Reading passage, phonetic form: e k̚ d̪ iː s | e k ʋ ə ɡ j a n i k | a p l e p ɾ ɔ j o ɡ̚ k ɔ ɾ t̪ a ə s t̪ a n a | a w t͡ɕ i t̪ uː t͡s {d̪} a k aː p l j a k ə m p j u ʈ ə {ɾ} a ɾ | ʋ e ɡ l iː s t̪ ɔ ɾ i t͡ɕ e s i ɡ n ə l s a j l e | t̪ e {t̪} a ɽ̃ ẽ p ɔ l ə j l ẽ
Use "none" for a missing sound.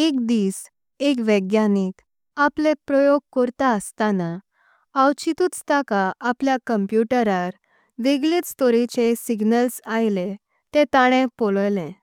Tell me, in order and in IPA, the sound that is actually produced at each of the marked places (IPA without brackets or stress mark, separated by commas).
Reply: t̪, ɾ, t̪